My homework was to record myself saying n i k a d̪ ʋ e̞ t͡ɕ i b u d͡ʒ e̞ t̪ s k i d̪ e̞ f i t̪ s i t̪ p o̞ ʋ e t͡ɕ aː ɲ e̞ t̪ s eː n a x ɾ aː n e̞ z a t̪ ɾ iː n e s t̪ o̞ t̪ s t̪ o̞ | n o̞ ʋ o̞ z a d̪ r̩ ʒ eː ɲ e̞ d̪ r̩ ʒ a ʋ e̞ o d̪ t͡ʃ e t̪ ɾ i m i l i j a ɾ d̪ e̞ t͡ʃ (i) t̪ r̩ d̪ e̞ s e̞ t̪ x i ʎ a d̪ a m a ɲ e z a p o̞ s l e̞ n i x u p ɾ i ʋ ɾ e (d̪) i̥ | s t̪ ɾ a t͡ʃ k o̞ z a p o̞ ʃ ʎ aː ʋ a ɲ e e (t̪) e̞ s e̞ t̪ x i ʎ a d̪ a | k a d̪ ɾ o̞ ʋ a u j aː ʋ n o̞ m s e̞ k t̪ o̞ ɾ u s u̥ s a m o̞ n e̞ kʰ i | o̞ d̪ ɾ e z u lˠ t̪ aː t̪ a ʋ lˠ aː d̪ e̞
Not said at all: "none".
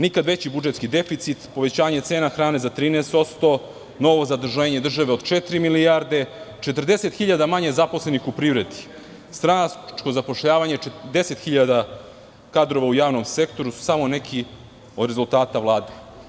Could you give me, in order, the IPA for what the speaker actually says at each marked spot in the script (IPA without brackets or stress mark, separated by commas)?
e, d̪, d̪